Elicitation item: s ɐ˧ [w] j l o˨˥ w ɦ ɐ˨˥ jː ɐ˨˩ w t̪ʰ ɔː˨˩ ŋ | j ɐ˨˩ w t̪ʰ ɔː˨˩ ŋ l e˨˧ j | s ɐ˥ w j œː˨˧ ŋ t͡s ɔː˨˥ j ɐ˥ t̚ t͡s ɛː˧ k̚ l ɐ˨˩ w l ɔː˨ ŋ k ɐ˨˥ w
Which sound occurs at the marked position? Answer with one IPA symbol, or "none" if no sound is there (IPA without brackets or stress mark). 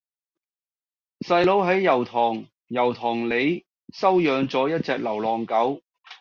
none